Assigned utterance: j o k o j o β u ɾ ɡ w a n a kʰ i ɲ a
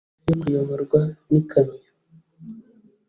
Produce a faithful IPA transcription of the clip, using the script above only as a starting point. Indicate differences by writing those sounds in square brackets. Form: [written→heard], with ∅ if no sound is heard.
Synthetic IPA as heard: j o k [o→u] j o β [u→o] ɾ ɡ w a n [a→i] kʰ [i→a] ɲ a